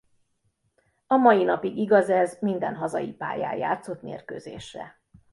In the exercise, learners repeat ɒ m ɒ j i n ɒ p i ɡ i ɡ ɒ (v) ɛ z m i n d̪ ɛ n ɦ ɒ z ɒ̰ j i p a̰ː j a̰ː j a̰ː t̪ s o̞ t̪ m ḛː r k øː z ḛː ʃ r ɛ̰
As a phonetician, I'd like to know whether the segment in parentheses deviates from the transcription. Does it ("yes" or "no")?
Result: yes